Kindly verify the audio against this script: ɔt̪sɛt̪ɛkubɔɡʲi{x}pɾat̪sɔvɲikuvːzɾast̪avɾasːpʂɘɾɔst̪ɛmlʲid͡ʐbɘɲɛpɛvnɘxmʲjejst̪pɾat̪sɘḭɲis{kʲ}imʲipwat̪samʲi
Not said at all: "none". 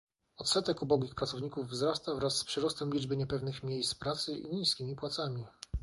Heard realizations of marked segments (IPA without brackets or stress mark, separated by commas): x, kʲ